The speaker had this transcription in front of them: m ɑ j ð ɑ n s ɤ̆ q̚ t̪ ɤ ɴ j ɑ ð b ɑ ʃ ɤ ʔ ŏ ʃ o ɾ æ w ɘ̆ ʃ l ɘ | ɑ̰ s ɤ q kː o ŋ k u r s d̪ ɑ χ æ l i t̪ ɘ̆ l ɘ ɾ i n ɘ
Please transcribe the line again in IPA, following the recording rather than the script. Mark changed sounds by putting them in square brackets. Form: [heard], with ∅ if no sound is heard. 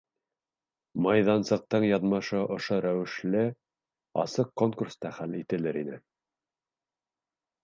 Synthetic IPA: m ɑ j ð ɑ n s ɤ̆ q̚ t̪ ɤ ɴ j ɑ ð [m] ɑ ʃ ɤ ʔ ŏ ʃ o ɾ æ w ɘ̆ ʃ l ɘ | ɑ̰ s ɤ q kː o ŋ k u r s [t̪] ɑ χ æ l i t̪ ɘ̆ l ɘ ɾ i n ɘ